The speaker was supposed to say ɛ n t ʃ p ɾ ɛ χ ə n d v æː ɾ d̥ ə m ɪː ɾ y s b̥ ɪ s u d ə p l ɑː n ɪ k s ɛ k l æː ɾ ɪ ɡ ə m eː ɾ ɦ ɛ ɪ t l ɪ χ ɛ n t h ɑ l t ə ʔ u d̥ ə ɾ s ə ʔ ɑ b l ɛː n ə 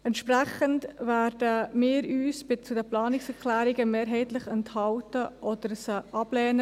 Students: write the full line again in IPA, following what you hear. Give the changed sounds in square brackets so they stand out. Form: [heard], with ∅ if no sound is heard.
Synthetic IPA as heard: ɛ n t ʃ p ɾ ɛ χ ə n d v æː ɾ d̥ ə m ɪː ɾ [yː] s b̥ ɪ [t͡s] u d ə p l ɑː n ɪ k s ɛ k l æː ɾ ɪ ɡ ə m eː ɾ ɦ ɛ ɪ t l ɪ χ ɛ n t h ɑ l t ə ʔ [ɔ] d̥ ə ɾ s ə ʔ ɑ b l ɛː n ə